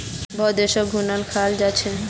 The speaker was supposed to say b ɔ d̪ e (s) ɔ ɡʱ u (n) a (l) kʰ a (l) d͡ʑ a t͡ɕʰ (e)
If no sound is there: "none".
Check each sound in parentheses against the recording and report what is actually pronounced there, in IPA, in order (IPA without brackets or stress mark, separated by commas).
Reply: ʃ, n, l, l, e